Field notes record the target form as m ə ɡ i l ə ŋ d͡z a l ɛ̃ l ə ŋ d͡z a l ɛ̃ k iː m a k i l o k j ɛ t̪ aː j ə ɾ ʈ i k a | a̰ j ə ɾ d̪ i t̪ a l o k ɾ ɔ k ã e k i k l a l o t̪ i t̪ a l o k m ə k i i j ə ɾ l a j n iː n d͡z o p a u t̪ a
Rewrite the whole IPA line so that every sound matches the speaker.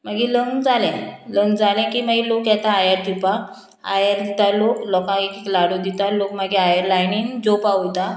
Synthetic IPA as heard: m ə ɡ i l ə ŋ d͡z a l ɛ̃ l ə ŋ d͡z a l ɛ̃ k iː m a ɡ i l o k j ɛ t̪ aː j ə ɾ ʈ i p a | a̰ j ə ɾ d̪ i t̪ a l o k l ɔ k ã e k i k l a ɽ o d̪ i t̪ a l o k m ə ɡ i a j ə ɾ l a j n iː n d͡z o p a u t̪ a